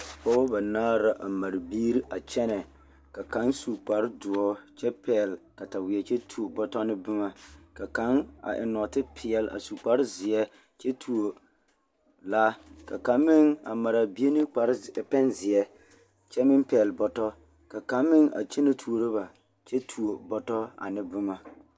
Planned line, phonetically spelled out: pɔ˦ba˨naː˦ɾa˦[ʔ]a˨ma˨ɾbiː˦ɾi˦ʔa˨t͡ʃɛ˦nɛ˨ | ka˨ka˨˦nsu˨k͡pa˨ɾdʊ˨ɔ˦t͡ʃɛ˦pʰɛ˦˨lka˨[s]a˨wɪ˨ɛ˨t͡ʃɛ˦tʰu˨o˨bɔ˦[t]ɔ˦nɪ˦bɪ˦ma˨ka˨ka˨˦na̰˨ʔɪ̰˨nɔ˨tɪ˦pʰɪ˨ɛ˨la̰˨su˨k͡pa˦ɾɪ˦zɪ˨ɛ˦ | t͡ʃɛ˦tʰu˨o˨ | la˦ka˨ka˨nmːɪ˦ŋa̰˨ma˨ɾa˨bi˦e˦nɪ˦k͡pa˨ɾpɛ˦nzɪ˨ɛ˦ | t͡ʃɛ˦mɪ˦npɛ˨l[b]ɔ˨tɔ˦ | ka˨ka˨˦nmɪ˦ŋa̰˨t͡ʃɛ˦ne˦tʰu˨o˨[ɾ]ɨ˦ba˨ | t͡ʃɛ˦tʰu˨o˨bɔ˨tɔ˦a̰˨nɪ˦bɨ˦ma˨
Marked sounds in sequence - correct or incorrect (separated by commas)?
correct, incorrect, correct, correct, correct